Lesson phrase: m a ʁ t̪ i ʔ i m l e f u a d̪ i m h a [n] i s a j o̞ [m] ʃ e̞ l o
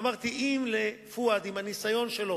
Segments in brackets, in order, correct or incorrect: correct, incorrect: n

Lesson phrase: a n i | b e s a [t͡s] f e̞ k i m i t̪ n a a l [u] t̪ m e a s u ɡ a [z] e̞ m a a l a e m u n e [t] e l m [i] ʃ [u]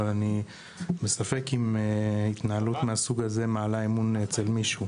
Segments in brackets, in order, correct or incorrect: incorrect: none, correct, correct, incorrect: t͡s, correct, correct

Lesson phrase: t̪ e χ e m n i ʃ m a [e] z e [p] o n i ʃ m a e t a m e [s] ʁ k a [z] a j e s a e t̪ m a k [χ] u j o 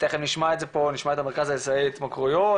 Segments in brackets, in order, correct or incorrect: correct, correct, incorrect: none, correct, incorrect: ʁ

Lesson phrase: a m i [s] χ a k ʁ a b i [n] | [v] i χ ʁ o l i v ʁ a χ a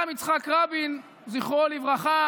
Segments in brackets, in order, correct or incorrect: incorrect: t͡s, correct, incorrect: z

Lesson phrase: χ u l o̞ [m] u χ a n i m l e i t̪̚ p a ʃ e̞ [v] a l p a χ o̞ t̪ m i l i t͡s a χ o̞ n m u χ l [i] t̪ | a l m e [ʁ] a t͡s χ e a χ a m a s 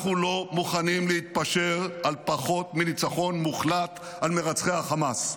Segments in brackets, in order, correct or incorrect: correct, incorrect: ʁ, incorrect: a, correct

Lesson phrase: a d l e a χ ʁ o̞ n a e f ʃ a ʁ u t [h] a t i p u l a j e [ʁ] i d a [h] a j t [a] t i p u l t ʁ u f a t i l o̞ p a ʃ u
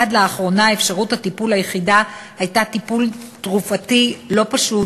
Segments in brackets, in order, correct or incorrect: correct, incorrect: χ, correct, correct

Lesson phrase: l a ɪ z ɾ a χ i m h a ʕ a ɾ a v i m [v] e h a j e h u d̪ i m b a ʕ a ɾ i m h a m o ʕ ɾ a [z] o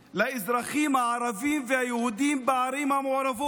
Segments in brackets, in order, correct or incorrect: correct, incorrect: v

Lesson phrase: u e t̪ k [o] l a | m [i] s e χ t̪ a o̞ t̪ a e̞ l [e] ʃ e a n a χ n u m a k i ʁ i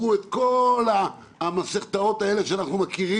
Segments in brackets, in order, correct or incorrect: correct, incorrect: a, correct

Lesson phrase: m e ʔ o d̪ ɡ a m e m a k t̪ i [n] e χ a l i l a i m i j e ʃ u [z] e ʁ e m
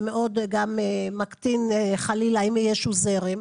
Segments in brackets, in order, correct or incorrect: correct, correct

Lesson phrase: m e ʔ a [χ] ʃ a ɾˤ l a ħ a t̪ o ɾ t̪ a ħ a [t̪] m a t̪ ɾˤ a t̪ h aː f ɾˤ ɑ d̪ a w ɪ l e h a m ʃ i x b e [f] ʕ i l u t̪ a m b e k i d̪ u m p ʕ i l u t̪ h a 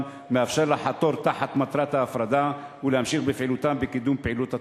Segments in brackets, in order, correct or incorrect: incorrect: f, correct, correct

